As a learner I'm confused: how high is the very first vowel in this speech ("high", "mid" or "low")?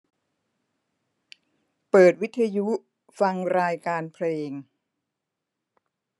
mid